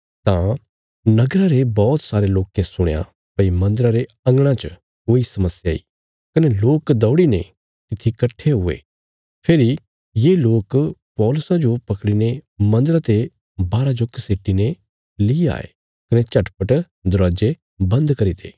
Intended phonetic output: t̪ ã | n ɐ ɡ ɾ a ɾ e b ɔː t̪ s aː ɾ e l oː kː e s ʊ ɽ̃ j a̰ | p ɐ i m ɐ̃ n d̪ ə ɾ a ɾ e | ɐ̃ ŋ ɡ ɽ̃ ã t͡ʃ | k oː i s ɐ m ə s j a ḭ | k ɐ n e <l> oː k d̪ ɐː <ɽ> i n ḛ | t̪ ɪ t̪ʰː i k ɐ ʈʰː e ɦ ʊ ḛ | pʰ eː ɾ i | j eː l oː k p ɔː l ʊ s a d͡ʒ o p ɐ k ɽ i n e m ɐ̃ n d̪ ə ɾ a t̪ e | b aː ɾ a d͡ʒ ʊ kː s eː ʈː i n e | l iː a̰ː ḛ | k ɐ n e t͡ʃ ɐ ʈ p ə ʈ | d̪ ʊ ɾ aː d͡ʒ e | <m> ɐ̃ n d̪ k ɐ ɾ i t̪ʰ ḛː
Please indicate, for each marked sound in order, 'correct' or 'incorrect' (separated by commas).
correct, correct, incorrect